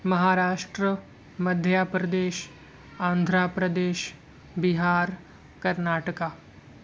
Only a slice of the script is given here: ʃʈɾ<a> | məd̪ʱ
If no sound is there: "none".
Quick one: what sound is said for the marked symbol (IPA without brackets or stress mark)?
ə